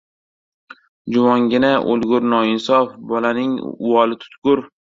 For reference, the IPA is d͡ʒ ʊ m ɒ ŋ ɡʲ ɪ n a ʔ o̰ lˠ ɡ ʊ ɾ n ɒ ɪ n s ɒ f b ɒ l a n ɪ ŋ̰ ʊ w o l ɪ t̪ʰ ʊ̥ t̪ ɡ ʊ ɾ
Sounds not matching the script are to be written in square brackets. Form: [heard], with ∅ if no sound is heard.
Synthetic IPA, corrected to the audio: d͡ʒ ʊ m ɒ ŋ ɡʲ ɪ n a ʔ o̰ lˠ ɡ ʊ ɾ n ɒ ɪ n s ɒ f b ɒ l a n ɪ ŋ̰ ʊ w [ɒ] l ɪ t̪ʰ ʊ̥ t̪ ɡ ʊ ɾ